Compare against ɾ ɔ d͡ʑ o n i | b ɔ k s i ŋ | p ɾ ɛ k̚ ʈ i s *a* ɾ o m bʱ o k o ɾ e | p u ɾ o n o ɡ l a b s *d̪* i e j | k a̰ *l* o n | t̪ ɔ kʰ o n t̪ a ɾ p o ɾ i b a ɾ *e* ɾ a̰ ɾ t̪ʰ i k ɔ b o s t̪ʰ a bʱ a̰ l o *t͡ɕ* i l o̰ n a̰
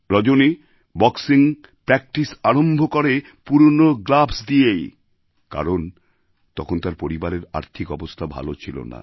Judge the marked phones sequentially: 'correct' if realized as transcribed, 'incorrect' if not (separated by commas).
correct, correct, incorrect, correct, incorrect